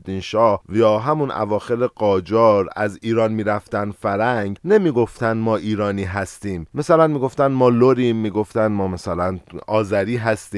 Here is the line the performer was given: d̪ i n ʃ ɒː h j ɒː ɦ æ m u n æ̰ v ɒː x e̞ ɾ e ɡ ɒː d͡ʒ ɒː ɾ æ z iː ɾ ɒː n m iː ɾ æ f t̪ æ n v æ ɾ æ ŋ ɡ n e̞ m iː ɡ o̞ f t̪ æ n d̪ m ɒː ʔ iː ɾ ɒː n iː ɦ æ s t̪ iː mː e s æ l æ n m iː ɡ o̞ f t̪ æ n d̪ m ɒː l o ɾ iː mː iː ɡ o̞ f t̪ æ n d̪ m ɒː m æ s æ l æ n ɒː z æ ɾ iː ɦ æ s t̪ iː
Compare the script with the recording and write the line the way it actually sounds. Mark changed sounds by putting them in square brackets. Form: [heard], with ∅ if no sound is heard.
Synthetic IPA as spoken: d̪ i n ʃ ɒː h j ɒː ɦ æ m u n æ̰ v ɒː x e̞ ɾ e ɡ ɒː d͡ʒ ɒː ɾ æ z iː ɾ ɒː n m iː ɾ æ f t̪ æ n [f] æ ɾ æ ŋ ɡ n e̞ m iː ɡ o̞ f t̪ æ n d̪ m ɒː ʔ iː ɾ ɒː n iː ɦ æ s t̪ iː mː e s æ l æ n m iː ɡ o̞ f t̪ æ n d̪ m ɒː l o ɾ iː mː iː ɡ o̞ f t̪ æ n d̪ m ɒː m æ s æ l æ n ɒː z æ ɾ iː ɦ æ s t̪ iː